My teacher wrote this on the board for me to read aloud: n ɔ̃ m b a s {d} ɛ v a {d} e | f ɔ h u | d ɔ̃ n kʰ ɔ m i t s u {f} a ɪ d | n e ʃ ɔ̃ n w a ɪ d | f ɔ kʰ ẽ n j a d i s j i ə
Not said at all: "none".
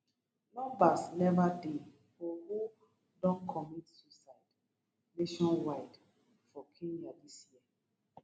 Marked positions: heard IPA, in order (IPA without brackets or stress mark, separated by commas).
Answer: n, d, s